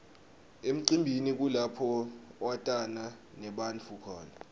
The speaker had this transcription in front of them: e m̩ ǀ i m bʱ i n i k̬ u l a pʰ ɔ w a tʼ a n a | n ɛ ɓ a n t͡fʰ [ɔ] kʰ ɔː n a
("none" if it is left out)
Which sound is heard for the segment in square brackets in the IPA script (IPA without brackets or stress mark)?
u